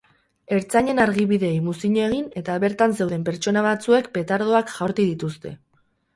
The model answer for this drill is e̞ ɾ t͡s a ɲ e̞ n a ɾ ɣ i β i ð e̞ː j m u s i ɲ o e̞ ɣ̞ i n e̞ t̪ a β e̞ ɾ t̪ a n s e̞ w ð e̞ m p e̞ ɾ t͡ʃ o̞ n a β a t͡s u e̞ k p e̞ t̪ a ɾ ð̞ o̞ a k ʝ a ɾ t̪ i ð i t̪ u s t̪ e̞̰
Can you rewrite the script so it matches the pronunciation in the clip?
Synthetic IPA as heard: e̞ ɾ t͡s a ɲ e̞ n a ɾ ɣ i β i ð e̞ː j m u s i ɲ o e̞ ɣ̞ i n e̞ t̪ a β e̞ ɾ t̪ a n s e̞ w ð e̞ m p e̞ ɾ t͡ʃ o̞ n a β a t͡s u e̞ k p e̞ t̪ a ɾ ð̞ o̞ a k ʝ a ɾ t̪ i ð i t̪ u s t̪ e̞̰